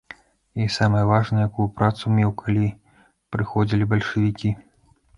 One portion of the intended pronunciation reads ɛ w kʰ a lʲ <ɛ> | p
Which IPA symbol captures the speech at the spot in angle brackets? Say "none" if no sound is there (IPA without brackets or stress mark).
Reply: i